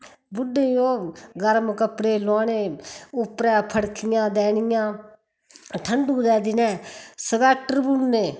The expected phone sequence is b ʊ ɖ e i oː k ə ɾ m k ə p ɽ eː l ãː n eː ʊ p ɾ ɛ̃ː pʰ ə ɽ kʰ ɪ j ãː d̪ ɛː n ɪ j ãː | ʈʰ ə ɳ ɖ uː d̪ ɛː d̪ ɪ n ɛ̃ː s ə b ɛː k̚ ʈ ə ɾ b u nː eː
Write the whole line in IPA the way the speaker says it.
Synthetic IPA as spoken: b ʊ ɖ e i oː ɡ ə ɾ m k ə p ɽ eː l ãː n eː ʊ p ɾ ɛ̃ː pʰ ə ɽ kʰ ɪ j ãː d̪ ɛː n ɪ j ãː | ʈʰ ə ɳ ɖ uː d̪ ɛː d̪ ɪ n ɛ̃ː s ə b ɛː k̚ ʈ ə ɾ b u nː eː